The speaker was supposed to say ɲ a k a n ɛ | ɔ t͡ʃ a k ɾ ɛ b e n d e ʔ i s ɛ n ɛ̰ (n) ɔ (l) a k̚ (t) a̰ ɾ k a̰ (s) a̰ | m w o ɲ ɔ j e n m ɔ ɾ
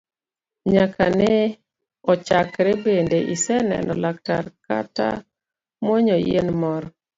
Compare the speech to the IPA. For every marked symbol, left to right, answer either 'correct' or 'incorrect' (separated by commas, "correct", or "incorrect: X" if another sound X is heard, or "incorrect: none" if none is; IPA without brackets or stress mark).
correct, correct, correct, incorrect: t